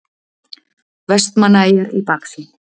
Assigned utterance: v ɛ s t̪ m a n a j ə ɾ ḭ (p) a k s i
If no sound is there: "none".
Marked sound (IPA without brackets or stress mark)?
p